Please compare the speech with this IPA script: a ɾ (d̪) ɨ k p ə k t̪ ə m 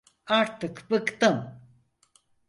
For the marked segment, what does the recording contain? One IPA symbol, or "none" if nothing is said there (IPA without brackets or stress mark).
t̪